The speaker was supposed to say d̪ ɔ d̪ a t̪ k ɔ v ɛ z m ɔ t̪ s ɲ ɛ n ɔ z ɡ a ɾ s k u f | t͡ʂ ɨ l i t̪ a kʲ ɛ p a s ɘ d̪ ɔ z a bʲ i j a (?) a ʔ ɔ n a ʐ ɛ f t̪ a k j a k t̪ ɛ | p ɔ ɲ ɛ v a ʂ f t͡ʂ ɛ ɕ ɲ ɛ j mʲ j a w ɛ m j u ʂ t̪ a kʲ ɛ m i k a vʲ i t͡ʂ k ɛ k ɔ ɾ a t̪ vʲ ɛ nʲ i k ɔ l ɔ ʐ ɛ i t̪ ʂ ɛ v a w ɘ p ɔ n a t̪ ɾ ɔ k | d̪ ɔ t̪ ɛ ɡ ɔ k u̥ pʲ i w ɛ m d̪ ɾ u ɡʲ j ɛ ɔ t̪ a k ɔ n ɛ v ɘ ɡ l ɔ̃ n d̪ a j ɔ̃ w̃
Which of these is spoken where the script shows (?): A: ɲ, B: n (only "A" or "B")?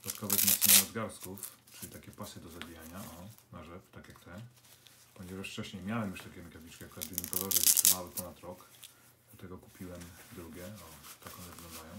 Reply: A